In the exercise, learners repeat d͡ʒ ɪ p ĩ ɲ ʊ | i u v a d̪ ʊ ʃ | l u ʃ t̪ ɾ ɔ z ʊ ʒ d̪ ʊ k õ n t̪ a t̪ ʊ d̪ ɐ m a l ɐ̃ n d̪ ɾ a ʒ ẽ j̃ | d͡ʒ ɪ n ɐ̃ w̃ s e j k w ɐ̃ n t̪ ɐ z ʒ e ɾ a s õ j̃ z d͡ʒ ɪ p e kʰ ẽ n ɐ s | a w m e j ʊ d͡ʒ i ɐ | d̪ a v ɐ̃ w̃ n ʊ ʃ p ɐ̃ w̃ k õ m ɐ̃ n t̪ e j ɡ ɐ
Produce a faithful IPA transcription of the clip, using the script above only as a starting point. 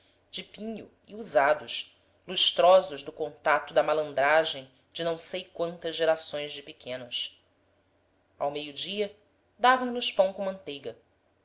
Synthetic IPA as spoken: d͡ʒ ɪ p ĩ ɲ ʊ | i u z a d̪ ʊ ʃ | l u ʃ t̪ ɾ ɔ z ʊ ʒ d̪ ʊ k õ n t̪ a t̪ ʊ d̪ ɐ m a l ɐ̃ n d̪ ɾ a ʒ ẽ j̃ | d͡ʒ ɪ n ɐ̃ w̃ s e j k w ɐ̃ n t̪ ɐ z ʒ e ɾ a s õ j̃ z d͡ʒ ɪ p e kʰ ẽ n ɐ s | a w m e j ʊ d͡ʒ i ɐ | d̪ a v ɐ̃ w̃ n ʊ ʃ p ɐ̃ w̃ k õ m ɐ̃ n t̪ e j ɡ ɐ

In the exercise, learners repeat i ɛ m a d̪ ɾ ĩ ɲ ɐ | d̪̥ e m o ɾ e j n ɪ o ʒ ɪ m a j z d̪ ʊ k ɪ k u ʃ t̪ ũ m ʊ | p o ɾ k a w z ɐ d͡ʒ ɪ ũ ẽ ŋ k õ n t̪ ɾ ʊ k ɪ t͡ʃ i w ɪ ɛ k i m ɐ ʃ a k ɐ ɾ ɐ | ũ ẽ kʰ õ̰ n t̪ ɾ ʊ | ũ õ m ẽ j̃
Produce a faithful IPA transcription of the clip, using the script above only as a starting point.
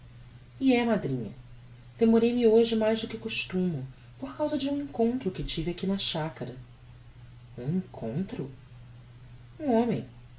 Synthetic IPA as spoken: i ɛ m a d̪ ɾ ĩ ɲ ɐ | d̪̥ e m o ɾ e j m ɪ o ʒ ɪ m a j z d̪ ʊ k ɪ k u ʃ t̪ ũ m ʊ | p o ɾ k a w z ɐ d͡ʒ ɪ ũ ẽ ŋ k õ n t̪ ɾ ʊ k ɪ t͡ʃ i v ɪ a k i n ɐ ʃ a k ɐ ɾ ɐ | ũ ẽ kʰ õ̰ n t̪ ɾ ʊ | ũ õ m ẽ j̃

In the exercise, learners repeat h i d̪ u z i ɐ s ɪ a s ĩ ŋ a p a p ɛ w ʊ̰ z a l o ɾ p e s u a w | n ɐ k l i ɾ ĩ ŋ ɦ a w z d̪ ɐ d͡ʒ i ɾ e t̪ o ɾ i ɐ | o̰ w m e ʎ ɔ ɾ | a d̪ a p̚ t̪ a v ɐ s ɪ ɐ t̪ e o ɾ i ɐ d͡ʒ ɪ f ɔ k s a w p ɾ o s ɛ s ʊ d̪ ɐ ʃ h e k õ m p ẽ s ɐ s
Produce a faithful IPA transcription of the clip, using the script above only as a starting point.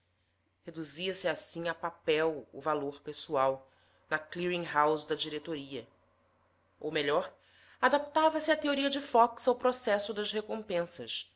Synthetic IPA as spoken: h e d̪ u z i ɐ s ɪ a s ĩ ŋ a p a p ɛ w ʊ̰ v a l o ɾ p e s u a w | n ɐ k l i ɾ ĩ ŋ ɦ a w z d̪ ɐ d͡ʒ i ɾ e t̪ o ɾ i ɐ | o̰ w m e ʎ ɔ ɾ | a d̪ a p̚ t̪ a v ɐ s ɪ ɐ t̪ e o ɾ i ɐ d͡ʒ ɪ f ɔ k s a w p ɾ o s ɛ s ʊ d̪ ɐ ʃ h e k õ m p ẽ s ɐ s

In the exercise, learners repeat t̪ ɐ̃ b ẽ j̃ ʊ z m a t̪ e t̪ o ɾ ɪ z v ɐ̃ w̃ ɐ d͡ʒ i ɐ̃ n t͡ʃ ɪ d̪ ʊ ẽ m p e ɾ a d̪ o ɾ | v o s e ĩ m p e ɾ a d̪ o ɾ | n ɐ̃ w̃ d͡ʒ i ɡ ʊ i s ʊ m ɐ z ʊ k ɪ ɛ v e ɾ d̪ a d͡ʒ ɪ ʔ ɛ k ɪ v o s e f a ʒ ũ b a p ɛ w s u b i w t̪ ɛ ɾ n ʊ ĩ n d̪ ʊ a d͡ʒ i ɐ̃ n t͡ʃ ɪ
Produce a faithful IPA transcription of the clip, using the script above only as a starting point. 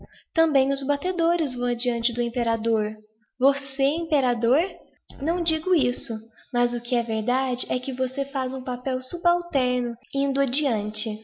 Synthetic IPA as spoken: t̪ ɐ̃ b ẽ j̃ ʊ z b a t̪ e d̪ o ɾ ɪ z v ɐ̃ w̃ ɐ d͡ʒ i ɐ̃ n t͡ʃ ɪ d̪ ʊ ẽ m p e ɾ a d̪ o ɾ | v o s e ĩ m p e ɾ a d̪ o ɾ | n ɐ̃ w̃ d͡ʒ i ɡ ʊ i s ʊ m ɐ z ʊ k ɪ ɛ v e ɾ d̪ a d͡ʒ ɪ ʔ ɛ k ɪ v o s e f a z ũ p a p ɛ w s u b a w t̪ ɛ ɾ n ʊ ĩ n d̪ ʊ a d͡ʒ i ɐ̃ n t͡ʃ ɪ

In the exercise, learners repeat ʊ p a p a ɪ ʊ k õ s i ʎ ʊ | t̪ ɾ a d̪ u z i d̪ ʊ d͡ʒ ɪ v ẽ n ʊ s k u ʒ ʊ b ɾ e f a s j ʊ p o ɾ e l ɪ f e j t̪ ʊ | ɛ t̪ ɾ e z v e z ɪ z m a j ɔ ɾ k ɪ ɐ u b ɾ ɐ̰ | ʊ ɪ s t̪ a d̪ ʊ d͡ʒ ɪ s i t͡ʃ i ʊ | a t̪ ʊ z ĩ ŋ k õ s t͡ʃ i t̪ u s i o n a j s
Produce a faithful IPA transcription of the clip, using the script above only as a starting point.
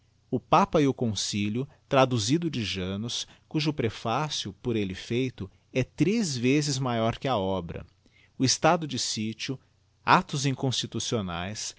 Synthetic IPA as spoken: ʊ p a p ɐ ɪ ʊ k õ s i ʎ ʊ | t̪ ɾ a d̪ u z i d̪ ʊ d͡ʒ ɪ ʒ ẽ n ʊ s k u ʒ ʊ p ɾ e f a s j ʊ p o ɾ e l ɪ f e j t̪ ʊ | ɛ t̪ ɾ e z v e z ɪ z m a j ɔ ɾ k ɪ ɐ ɔ b ɾ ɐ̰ | ʊ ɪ s t̪ a d̪ ʊ d͡ʒ ɪ s i t͡ʃ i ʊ | a t̪ ʊ z ĩ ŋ k õ s t͡ʃ i t̪ u s i o n a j s

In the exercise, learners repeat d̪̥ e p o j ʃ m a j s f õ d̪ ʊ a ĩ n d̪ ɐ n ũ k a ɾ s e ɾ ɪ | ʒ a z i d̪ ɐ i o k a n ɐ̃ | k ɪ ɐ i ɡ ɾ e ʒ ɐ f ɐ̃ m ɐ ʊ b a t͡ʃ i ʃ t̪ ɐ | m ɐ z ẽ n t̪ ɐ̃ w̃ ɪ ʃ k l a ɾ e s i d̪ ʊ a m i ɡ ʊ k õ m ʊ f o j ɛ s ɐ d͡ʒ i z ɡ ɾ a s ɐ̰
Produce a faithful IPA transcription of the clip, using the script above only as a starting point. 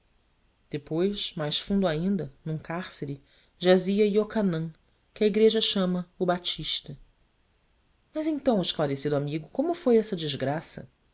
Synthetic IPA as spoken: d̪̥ e p o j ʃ m a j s f ũ d̪ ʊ a ĩ n d̪ ɐ n ũ k a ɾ s e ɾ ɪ | ʒ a z i ɐ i o k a n ɐ̃ | k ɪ ɐ i ɡ ɾ e ʒ ɐ ʃ ɐ̃ m ɐ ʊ b a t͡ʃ i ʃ t̪ ɐ | m ɐ z ẽ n t̪ ɐ̃ w̃ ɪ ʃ k l a ɾ e s i d̪ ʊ a m i ɡ ʊ k õ m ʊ f o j ɛ s ɐ d͡ʒ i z ɡ ɾ a s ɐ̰

